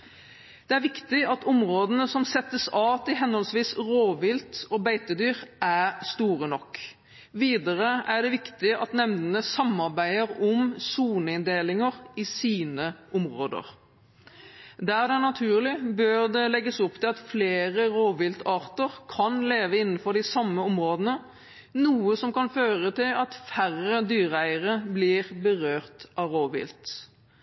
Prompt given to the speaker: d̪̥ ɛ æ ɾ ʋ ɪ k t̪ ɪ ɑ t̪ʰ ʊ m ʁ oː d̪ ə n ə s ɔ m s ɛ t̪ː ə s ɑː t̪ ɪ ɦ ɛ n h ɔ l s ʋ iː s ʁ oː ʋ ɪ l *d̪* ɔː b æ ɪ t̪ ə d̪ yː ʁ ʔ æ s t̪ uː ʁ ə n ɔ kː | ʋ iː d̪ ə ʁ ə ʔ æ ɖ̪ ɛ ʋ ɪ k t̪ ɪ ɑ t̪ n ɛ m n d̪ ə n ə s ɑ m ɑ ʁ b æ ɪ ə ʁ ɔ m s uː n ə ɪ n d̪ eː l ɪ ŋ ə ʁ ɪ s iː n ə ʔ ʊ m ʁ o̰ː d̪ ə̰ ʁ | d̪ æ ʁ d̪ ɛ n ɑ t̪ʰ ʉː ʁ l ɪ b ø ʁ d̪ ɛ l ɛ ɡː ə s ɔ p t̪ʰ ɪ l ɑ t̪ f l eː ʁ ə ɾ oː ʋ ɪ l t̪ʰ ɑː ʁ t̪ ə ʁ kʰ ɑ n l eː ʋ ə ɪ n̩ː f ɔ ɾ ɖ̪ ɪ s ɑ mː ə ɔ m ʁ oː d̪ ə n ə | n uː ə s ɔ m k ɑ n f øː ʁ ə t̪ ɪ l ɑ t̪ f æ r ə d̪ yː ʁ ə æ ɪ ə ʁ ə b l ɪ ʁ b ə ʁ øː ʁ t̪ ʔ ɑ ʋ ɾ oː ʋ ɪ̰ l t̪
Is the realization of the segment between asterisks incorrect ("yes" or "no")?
yes